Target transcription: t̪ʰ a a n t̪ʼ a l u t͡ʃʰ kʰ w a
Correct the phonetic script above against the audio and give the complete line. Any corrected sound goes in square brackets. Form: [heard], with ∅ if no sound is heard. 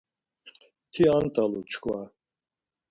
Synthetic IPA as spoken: t̪ʰ [i] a n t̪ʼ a l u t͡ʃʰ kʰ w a